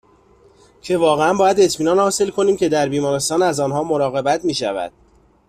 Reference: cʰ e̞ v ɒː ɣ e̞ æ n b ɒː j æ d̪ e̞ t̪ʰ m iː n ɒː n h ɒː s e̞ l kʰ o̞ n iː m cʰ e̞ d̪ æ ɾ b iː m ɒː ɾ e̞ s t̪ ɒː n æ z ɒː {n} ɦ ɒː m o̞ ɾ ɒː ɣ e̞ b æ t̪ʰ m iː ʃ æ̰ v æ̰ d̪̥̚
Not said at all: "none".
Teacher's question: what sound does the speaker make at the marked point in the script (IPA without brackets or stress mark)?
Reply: n